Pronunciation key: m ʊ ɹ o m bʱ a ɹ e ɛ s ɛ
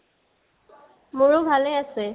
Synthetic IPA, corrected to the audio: m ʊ ɹ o bʱ a l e a s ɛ